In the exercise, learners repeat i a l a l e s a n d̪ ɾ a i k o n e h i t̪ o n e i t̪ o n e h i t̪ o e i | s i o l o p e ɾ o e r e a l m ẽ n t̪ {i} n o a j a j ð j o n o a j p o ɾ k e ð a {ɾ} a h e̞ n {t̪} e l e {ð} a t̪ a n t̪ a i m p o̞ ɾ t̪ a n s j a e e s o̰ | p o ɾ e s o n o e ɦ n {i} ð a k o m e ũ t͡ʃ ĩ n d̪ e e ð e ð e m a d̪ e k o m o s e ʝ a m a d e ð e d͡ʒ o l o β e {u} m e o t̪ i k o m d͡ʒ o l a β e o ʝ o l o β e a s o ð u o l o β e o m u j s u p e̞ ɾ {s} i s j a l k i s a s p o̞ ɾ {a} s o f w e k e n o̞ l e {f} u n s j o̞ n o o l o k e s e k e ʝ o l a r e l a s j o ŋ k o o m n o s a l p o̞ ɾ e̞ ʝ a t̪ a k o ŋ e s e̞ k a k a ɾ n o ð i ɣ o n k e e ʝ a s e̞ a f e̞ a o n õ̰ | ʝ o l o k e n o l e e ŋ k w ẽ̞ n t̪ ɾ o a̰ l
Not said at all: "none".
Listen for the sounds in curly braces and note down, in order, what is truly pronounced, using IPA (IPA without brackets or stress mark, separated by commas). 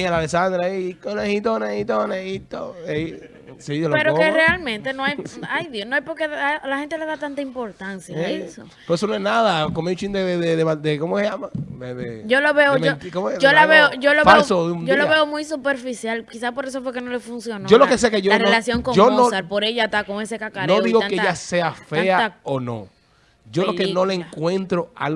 e, l, t̪, ð, a, o, f, e, f